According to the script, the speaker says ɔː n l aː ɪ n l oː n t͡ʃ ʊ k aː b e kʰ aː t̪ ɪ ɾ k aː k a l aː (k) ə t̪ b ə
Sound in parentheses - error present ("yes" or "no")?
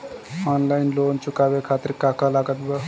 yes